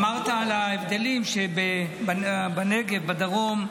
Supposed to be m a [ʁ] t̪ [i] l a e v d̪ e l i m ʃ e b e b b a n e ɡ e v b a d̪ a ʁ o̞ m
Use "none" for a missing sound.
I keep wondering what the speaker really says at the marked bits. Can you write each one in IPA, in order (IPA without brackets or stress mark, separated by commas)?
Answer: ʁ, a